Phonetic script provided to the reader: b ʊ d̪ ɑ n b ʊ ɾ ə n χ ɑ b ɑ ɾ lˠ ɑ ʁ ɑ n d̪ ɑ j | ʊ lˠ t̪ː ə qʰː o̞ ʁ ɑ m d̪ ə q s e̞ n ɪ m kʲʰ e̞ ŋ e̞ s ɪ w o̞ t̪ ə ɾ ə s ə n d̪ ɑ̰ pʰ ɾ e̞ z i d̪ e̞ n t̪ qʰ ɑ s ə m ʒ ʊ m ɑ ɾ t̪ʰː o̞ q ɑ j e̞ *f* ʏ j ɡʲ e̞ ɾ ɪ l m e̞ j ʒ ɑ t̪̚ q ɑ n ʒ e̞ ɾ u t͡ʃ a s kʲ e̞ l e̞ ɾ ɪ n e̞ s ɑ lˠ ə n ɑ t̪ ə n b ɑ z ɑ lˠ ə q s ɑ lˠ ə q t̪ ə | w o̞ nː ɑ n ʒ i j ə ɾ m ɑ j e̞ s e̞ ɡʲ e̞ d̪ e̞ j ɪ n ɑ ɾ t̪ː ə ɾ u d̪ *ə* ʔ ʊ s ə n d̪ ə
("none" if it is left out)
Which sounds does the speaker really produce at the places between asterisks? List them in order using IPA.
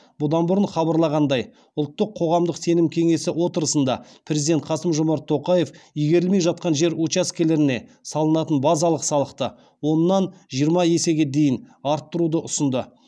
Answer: f, ə

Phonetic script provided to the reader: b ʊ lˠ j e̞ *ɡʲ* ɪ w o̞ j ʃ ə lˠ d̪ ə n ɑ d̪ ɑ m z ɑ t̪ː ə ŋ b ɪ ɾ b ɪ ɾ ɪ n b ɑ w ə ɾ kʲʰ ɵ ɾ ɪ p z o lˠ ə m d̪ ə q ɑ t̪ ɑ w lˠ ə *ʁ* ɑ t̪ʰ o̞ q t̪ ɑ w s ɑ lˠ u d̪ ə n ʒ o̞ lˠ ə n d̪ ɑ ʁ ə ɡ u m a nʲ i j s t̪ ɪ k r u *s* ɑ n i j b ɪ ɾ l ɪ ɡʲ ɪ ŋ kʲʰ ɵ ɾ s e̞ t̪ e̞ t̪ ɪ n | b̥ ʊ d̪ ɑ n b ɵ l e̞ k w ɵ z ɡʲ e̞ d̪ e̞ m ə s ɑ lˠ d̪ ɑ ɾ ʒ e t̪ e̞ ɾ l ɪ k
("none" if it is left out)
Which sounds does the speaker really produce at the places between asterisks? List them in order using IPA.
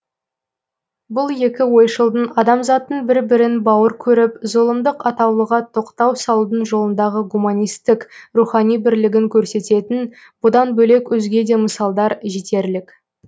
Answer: kʲ, ʁ, χ

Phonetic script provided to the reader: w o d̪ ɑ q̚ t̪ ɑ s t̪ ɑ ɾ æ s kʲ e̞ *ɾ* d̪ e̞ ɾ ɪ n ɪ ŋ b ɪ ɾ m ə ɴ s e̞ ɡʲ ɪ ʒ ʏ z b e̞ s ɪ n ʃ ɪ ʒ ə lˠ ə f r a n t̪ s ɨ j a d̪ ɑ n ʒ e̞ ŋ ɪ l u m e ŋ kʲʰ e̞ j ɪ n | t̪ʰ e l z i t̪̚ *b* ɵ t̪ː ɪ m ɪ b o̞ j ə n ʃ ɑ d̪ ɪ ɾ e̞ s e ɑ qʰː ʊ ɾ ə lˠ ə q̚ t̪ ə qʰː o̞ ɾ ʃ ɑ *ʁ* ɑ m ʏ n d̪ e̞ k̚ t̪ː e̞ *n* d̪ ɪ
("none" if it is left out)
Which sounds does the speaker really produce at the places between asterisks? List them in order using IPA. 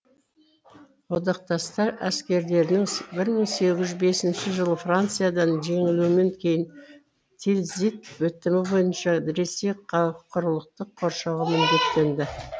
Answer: ɾ, w, ʁ, n

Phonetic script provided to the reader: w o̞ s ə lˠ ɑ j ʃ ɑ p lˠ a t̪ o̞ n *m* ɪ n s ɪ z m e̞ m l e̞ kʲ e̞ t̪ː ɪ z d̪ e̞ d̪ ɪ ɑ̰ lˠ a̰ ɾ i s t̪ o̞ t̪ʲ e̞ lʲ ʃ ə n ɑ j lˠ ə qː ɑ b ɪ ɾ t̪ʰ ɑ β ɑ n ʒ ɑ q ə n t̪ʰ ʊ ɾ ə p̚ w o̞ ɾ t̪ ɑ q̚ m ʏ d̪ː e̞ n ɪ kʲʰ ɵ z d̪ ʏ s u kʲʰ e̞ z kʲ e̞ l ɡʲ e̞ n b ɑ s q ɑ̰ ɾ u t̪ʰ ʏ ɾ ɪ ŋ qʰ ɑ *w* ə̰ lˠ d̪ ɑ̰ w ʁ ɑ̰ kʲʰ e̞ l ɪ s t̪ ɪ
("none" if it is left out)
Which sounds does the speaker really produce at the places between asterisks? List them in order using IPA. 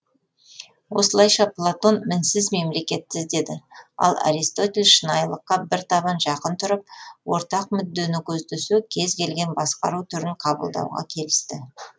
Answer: m, b

